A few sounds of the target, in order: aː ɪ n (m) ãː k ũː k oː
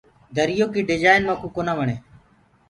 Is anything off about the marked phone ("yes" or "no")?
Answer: no